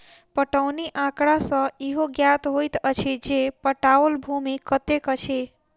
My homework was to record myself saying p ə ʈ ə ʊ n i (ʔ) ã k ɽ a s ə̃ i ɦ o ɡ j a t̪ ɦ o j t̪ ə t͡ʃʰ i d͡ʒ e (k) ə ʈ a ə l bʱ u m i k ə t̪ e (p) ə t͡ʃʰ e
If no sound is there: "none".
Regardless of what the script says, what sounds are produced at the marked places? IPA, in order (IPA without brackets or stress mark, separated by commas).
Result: ʔ, p, k